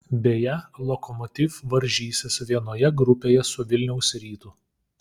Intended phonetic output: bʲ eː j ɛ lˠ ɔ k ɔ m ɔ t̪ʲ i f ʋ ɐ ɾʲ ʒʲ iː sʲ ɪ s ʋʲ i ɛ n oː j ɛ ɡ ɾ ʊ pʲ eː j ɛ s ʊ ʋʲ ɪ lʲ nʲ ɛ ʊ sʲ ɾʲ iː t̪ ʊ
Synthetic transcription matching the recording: bʲ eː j ɛ lˠ ɔ k ɔ m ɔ t̪ʲ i f ʋ ɐ ɾʲ ʒʲ iː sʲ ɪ s ʋʲ i ɛ n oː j ɛ ɡ ɾ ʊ pʲ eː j ɛ s ʊ ʋʲ ɪ lʲ nʲ ɛ ʊ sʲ ɾʲ iː t̪ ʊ